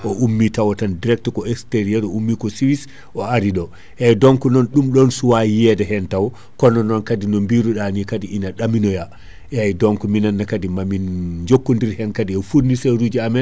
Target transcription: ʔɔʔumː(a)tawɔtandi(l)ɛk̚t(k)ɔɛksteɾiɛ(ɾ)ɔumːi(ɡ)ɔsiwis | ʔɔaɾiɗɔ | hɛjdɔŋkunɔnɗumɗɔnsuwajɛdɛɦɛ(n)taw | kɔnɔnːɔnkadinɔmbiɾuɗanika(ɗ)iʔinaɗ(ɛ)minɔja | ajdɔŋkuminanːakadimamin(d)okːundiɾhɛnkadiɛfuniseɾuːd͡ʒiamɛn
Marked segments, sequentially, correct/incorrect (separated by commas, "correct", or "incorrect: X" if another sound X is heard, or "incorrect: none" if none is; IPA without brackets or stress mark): incorrect: i, incorrect: ɾ, correct, correct, incorrect: k, correct, incorrect: d, incorrect: a, incorrect: d͡ʒ